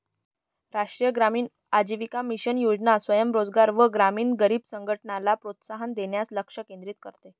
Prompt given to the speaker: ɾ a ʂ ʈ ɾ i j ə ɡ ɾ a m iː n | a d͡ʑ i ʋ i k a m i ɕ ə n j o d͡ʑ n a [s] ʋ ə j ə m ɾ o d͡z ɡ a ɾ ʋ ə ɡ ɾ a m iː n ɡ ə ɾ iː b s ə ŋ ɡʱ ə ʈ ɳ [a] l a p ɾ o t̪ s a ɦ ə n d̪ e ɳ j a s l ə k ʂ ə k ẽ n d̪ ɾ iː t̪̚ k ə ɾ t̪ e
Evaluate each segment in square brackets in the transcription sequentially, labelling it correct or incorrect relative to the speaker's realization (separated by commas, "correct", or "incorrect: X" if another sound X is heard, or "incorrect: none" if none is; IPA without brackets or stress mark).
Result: correct, correct